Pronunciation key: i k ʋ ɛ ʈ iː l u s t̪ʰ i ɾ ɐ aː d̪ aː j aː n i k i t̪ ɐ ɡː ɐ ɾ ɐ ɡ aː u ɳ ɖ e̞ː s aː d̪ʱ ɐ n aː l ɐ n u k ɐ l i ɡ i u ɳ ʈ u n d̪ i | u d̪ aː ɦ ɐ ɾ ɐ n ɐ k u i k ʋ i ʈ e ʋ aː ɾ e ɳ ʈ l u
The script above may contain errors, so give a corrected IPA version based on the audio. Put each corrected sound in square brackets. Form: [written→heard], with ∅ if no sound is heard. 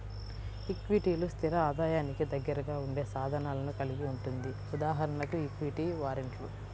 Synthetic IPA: i k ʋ [ɛ→i] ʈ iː l u s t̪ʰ i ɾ ɐ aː d̪ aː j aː n i k i [t̪→d̪] ɐ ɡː ɐ ɾ ɐ ɡ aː u ɳ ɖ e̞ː s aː d̪ʱ ɐ n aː l ɐ n u k ɐ l i ɡ i u ɳ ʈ u n d̪ i | u d̪ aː ɦ ɐ ɾ ɐ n ɐ k u i k ʋ i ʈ [e→i] ʋ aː ɾ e ɳ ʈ l u